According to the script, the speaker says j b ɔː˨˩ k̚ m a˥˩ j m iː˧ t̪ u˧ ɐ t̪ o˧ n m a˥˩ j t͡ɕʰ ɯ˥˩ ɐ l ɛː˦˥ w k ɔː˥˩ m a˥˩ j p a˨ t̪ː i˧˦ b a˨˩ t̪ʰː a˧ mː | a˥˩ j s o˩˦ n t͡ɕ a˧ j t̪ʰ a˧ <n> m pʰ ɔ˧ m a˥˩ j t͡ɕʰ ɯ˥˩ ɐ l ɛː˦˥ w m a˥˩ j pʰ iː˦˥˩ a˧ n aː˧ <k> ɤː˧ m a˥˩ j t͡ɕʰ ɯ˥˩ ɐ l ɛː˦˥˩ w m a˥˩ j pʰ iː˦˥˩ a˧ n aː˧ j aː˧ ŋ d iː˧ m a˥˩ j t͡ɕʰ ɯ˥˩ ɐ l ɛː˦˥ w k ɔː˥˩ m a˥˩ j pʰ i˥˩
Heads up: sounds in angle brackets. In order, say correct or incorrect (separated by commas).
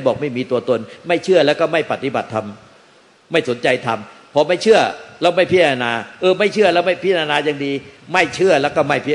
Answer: incorrect, incorrect